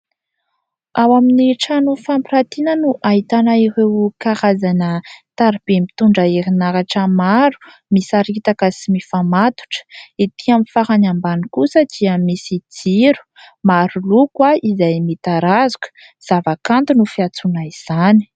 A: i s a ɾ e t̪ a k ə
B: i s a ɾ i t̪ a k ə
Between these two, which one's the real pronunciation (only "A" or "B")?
B